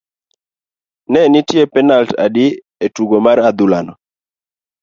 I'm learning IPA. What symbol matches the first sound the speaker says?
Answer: n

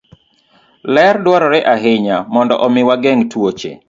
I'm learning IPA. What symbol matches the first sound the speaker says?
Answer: l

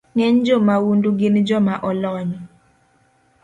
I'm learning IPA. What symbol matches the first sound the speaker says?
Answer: ŋ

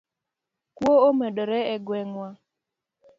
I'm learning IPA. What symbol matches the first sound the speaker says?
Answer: k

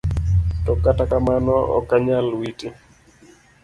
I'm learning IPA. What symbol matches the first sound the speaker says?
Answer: t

